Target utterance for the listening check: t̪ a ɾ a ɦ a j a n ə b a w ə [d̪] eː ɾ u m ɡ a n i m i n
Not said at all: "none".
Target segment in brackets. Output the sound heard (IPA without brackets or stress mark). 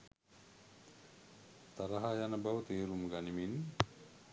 t̪